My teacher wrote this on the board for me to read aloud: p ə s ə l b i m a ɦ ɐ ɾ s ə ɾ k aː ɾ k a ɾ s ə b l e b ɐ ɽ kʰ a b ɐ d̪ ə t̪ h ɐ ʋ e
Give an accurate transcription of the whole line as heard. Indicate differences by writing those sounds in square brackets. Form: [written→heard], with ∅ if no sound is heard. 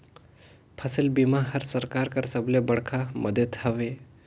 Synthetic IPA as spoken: [p→pʰ] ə s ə l b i m a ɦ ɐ ɾ s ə ɾ k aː ɾ k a ɾ s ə b l e b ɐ ɽ kʰ a [b→m] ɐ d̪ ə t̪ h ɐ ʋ e

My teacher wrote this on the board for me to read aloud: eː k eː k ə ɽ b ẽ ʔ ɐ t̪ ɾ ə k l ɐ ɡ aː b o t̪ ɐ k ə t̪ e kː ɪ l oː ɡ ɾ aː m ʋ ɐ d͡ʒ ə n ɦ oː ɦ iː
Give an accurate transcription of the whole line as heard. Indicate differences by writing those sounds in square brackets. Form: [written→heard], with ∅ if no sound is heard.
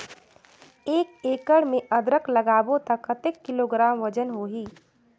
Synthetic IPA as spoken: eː k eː k ə ɽ [b→m] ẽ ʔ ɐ [t̪→d̪] ɾ ə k l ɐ ɡ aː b o t̪ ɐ k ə t̪ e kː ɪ l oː ɡ ɾ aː m ʋ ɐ d͡ʒ ə n ɦ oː ɦ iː

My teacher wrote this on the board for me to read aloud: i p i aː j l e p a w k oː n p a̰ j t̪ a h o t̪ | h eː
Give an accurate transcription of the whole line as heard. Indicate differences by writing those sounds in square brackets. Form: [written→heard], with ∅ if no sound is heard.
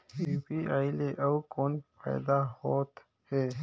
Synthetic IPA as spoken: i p i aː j l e [p→ʔ] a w k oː n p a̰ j [t̪→d̪] a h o t̪ | h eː

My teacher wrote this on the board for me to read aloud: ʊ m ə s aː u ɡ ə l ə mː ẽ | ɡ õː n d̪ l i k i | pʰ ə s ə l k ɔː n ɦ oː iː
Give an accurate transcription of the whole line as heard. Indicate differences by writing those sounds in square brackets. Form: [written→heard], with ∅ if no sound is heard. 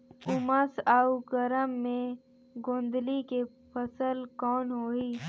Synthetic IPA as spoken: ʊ m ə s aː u ɡ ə [l→ɾ] ə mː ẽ | ɡ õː n d̪ l i k [i→e] | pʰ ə s ə l k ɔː n ɦ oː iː

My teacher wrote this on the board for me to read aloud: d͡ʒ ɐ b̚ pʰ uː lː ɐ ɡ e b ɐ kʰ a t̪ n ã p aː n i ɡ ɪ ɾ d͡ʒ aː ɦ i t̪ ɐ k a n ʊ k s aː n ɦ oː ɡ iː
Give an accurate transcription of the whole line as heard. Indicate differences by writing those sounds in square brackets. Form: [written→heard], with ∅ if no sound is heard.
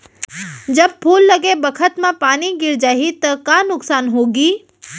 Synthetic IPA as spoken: d͡ʒ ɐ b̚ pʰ uː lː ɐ ɡ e b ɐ kʰ [a→ə] t̪ [n→m] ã p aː n i ɡ ɪ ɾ d͡ʒ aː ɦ i t̪ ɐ k a n ʊ k s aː n ɦ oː ɡ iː

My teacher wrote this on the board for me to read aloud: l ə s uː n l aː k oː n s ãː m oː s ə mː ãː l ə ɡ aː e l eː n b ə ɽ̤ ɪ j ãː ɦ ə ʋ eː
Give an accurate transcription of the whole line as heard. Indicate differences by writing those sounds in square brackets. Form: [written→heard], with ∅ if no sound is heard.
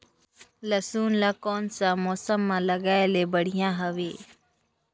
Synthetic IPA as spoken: l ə s uː n l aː k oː n s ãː m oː s ə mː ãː l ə ɡ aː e l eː [n→∅] b ə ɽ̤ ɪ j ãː ɦ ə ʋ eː

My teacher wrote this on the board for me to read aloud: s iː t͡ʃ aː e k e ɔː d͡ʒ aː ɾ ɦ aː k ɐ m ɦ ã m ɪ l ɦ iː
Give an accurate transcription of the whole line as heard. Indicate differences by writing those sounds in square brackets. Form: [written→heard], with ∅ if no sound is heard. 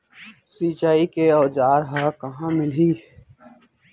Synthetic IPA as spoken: s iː t͡ʃ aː [e→i] k e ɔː d͡ʒ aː ɾ ɦ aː k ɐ [m→∅] ɦ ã m ɪ l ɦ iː

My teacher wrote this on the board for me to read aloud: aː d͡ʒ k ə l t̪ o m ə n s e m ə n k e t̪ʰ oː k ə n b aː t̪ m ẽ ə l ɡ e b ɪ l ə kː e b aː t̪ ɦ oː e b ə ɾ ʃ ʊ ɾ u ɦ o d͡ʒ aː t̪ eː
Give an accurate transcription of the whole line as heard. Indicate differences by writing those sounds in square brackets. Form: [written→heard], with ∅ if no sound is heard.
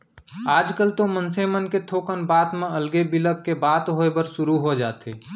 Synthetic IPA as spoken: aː d͡ʒ k ə l t̪ o m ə n s e m ə n k e t̪ʰ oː k ə n b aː t̪ m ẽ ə l ɡ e b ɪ l ə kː e b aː t̪ ɦ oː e b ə ɾ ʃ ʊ ɾ u ɦ o d͡ʒ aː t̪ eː

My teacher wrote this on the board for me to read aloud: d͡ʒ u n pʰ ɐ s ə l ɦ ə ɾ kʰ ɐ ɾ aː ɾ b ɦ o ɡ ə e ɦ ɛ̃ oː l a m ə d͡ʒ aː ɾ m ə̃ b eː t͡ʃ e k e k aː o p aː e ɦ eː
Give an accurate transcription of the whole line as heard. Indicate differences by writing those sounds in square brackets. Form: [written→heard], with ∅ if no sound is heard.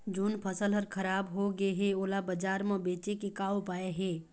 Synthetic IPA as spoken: d͡ʒ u n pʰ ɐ s ə l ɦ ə ɾ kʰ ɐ ɾ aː [ɾ→∅] b ɦ o ɡ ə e ɦ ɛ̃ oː l a [m→b] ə d͡ʒ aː ɾ m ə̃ b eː t͡ʃ e k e k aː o p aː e ɦ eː

